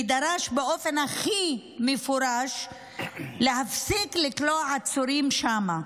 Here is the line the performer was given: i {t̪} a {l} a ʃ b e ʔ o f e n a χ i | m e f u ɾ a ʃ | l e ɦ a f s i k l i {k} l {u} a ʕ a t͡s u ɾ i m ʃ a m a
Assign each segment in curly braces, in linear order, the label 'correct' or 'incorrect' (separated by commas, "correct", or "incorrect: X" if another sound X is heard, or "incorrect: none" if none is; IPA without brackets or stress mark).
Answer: incorrect: d̪, incorrect: ɾ, correct, incorrect: o